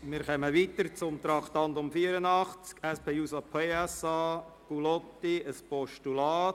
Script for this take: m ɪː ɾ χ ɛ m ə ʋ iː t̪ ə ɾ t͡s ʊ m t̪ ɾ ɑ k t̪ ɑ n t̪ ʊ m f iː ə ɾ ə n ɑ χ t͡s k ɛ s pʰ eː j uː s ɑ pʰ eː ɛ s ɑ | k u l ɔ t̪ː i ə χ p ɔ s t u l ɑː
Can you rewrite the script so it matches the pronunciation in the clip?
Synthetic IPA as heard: m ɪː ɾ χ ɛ m ə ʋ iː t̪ ə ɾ t͡s ʊ m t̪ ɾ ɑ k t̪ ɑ n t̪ ʊ m f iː ə ɾ ə n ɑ χ t͡s k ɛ s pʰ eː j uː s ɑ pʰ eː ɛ s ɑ | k u l ɔ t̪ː i ə s p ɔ ʃ t u l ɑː